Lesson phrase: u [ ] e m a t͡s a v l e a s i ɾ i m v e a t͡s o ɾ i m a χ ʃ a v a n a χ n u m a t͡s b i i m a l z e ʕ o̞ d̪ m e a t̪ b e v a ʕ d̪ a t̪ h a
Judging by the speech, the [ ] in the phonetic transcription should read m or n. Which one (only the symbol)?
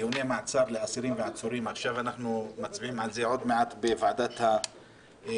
n